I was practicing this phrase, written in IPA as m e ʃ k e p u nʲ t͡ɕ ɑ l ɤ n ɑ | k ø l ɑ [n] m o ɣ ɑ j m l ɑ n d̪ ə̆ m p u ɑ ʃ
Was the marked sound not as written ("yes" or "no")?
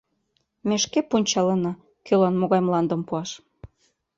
no